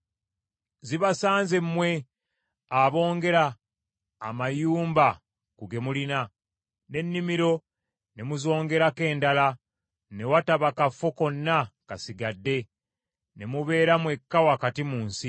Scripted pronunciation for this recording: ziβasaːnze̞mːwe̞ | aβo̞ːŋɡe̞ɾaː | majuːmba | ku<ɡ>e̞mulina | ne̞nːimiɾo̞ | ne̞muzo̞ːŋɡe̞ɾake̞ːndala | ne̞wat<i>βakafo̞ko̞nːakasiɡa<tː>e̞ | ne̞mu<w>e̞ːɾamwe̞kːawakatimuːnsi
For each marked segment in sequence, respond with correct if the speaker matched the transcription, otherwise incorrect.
correct, incorrect, incorrect, incorrect

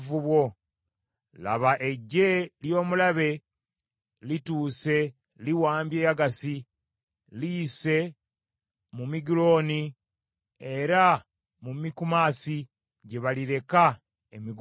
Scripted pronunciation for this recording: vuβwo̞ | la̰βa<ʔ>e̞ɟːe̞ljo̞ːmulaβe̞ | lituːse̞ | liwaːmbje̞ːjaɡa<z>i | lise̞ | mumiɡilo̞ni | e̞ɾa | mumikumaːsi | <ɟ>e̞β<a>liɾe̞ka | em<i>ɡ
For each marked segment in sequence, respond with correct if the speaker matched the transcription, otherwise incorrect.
correct, incorrect, correct, correct, correct

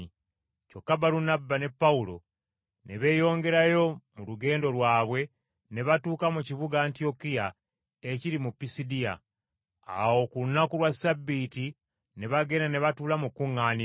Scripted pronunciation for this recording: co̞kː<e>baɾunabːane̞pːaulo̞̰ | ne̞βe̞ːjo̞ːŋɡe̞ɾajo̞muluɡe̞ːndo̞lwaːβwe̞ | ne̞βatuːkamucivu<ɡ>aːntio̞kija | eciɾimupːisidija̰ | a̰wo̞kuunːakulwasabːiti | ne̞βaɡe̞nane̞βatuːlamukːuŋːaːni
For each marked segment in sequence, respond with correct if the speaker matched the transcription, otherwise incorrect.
incorrect, correct

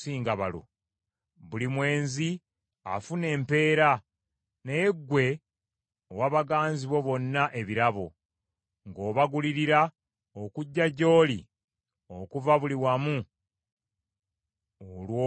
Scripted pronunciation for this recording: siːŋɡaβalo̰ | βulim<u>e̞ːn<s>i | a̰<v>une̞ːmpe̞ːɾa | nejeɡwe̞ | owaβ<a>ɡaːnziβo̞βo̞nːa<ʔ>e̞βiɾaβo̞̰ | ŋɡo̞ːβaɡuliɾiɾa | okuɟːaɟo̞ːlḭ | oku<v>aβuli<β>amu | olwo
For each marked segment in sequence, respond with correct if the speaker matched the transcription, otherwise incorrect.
incorrect, incorrect, incorrect, correct, correct, correct, incorrect

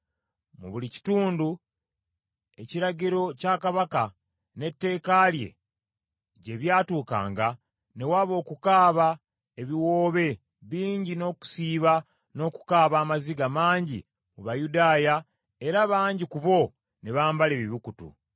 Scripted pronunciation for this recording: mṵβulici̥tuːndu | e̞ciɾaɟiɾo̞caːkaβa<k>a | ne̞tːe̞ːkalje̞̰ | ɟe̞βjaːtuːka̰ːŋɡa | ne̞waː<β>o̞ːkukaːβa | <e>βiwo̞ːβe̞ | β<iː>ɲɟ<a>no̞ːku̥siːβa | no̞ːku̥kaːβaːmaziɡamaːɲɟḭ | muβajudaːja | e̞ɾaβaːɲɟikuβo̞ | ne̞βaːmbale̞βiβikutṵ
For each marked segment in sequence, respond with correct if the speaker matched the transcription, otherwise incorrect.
correct, correct, correct, correct, incorrect

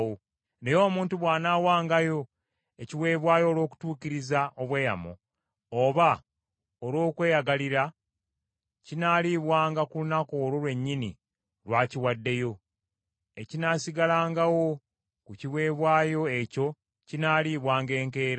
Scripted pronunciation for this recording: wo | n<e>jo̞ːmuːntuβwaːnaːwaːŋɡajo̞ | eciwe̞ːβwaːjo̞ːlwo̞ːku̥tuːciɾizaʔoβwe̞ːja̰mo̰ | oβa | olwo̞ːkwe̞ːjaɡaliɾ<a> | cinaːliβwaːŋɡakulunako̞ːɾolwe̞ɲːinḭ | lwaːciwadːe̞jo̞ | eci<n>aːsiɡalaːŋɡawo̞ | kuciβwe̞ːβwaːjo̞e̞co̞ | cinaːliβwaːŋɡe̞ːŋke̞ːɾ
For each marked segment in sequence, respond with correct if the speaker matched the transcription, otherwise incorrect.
correct, correct, correct

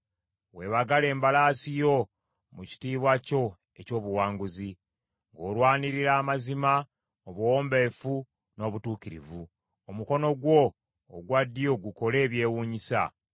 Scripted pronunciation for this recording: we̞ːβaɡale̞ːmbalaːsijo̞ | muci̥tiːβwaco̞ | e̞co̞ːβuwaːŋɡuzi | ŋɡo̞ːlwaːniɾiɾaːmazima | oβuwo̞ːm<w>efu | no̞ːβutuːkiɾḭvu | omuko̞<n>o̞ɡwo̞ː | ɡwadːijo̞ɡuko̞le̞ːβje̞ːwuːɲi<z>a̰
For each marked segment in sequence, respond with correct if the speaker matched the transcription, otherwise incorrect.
incorrect, correct, incorrect

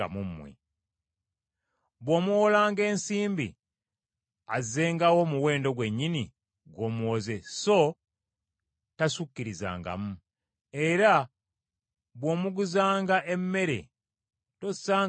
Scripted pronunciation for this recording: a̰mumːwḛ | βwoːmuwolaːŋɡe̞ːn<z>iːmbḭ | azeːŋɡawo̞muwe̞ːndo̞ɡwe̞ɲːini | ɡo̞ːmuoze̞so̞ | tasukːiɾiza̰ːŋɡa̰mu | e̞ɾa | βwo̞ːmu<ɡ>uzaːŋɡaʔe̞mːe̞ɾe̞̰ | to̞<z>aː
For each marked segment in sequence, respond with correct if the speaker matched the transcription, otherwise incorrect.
incorrect, correct, incorrect

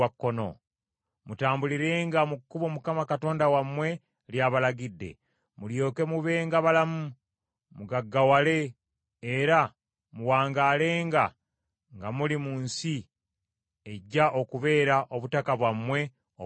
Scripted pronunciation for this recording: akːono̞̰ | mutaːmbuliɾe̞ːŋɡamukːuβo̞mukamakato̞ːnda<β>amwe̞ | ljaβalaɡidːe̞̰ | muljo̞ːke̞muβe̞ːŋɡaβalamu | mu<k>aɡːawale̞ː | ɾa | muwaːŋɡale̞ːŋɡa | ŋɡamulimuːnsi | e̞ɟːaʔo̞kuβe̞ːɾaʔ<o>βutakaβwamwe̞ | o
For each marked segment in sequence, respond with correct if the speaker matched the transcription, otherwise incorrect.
incorrect, incorrect, correct

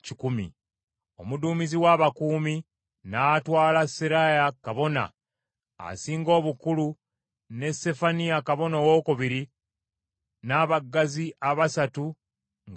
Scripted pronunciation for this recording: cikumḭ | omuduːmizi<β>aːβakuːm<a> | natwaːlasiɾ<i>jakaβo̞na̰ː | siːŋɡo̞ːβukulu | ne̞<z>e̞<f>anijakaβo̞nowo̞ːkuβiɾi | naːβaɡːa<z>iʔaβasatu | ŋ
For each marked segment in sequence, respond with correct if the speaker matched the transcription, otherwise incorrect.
incorrect, incorrect, incorrect, incorrect, correct, correct

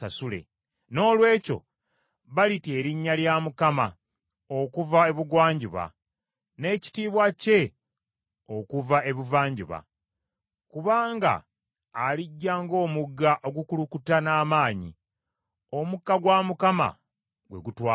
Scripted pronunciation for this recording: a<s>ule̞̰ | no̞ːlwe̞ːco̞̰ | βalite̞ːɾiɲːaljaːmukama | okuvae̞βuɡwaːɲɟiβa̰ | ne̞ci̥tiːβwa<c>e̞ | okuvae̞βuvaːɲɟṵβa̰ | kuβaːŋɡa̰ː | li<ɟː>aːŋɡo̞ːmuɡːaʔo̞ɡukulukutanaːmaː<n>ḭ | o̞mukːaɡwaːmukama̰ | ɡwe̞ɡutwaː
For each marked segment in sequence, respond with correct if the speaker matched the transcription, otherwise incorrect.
correct, correct, correct, incorrect

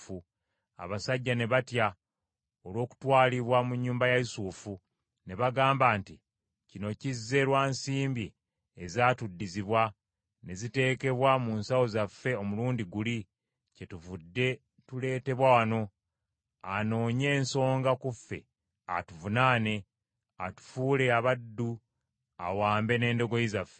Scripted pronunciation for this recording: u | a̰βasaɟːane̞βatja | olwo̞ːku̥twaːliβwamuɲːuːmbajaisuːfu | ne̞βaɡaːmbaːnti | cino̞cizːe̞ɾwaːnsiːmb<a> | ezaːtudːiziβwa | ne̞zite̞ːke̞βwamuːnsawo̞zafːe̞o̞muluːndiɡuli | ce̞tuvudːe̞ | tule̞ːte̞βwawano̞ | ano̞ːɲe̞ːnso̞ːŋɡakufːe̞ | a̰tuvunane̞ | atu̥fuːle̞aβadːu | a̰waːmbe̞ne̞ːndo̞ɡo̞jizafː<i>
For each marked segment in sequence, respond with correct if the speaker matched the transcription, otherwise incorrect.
incorrect, incorrect

